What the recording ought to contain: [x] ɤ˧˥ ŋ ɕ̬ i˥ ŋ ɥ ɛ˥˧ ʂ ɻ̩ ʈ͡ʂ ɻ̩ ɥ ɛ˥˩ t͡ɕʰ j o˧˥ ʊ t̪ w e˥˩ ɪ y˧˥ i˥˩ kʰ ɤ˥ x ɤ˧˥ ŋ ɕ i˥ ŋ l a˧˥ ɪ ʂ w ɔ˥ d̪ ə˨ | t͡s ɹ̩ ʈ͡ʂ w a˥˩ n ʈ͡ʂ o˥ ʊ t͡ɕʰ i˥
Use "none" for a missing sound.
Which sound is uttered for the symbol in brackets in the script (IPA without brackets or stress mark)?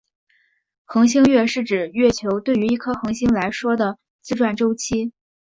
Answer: x